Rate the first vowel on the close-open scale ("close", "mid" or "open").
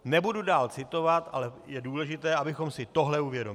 mid